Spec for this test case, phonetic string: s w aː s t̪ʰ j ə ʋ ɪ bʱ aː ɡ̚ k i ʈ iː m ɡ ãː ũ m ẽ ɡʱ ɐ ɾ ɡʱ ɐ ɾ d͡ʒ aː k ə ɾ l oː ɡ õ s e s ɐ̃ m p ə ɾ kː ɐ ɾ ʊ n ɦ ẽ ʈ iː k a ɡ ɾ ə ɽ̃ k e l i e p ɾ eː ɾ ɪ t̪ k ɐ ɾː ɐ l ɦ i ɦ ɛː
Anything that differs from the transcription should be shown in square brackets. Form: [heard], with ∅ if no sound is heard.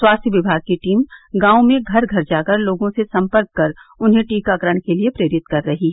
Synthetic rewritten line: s w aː s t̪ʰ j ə ʋ ɪ bʱ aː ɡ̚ k i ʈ iː m ɡ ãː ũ m ẽ ɡʱ ɐ ɾ ɡʱ ɐ ɾ d͡ʒ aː k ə ɾ l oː ɡ õ s e s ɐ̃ m p ə ɾ kː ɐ ɾ ʊ n ɦ ẽ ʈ iː k a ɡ ɾ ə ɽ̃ k e l i e p ɾ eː ɾ ɪ t̪ k ɐ ɾː ɐ [∅] ɦ i ɦ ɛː